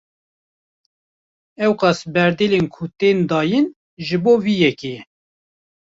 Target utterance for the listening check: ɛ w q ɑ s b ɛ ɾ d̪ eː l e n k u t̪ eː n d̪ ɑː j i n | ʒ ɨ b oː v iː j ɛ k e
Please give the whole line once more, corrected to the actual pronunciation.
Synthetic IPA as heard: ɛ w q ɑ s b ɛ ɾ d̪ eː l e n kʰ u t̪ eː n d̪ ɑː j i n | ʒ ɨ b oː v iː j ɛ k e